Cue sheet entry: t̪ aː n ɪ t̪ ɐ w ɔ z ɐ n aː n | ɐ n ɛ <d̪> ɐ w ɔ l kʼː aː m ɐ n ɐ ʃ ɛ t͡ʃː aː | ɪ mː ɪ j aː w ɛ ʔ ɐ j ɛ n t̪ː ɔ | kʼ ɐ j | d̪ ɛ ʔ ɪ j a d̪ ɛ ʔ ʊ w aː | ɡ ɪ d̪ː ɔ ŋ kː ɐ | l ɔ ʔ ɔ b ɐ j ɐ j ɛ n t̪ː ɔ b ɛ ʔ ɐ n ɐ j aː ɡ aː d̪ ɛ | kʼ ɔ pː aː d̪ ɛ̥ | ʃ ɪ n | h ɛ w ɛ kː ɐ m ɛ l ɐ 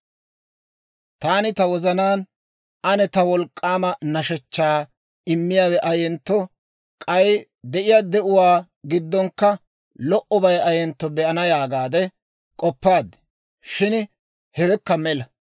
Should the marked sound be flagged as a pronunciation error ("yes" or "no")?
yes